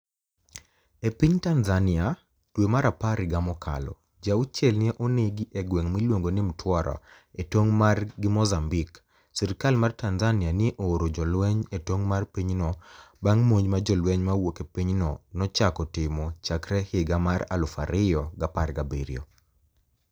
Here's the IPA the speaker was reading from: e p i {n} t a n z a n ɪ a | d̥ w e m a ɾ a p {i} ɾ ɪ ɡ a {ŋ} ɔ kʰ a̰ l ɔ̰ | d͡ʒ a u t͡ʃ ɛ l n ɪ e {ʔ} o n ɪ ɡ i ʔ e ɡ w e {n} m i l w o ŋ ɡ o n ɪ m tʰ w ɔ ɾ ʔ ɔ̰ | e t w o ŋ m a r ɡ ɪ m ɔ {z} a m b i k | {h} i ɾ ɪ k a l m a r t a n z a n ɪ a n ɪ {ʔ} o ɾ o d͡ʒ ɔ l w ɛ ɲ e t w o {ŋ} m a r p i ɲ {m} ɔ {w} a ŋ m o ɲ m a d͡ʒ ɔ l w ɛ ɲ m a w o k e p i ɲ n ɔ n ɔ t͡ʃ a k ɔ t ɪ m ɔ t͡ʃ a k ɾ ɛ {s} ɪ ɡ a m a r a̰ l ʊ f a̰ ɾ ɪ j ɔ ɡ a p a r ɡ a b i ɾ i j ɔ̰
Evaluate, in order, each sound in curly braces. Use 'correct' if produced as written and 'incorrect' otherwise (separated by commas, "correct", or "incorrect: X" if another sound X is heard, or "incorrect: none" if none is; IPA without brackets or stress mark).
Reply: incorrect: ɲ, incorrect: a, incorrect: m, correct, incorrect: ŋ, correct, incorrect: s, correct, correct, incorrect: n, incorrect: b, incorrect: h